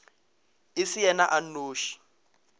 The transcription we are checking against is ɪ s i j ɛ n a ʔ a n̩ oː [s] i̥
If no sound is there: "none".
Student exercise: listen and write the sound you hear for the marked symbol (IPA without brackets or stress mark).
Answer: ʃ